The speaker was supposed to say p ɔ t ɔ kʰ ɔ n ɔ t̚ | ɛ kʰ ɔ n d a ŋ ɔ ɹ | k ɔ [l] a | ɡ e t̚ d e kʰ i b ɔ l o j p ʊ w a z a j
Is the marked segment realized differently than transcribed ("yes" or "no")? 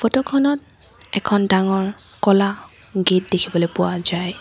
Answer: no